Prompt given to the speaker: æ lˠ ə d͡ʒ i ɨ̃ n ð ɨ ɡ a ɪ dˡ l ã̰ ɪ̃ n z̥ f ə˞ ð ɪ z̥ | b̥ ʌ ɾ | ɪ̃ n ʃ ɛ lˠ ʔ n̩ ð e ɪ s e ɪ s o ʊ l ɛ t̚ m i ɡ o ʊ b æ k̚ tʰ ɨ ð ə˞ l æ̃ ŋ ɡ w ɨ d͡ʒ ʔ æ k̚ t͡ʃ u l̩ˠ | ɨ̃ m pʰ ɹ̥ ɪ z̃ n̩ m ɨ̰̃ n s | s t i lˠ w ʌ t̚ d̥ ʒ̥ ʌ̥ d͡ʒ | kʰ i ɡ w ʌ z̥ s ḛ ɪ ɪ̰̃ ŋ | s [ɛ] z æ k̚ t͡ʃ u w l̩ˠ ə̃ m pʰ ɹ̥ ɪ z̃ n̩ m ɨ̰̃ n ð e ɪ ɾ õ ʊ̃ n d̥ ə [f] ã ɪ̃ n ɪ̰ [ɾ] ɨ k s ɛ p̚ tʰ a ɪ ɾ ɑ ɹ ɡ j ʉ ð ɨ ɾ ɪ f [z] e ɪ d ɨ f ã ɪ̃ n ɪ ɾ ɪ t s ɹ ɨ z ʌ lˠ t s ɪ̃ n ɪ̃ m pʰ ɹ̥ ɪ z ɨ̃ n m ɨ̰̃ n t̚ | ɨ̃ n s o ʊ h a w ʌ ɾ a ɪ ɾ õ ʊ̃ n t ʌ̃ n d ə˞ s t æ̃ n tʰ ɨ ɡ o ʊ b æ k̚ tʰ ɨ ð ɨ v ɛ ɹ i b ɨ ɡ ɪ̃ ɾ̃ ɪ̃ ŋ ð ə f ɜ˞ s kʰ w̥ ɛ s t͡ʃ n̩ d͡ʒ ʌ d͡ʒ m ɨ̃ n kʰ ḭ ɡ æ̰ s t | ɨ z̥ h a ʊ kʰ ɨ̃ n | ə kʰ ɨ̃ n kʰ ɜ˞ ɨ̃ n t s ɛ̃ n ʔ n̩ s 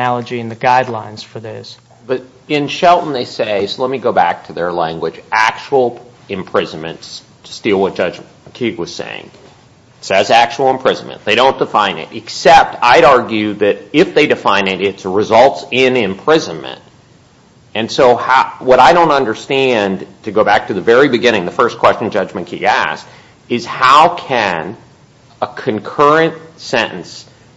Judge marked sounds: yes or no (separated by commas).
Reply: yes, yes, yes, no